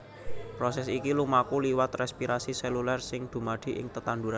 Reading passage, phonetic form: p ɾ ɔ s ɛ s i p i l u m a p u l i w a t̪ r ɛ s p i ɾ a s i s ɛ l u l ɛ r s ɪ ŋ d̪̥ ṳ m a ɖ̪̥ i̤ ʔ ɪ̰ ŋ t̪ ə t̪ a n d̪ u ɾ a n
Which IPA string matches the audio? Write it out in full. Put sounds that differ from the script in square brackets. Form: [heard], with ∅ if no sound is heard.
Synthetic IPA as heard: p ɾ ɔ s ɛ s i [k] i l u m a [k] u l i w a t̪ r ɛ s p i ɾ a s i s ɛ l u l ɛ r s ɪ ŋ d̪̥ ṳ m a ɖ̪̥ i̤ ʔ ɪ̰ ŋ t̪ ə t̪ a n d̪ u ɾ a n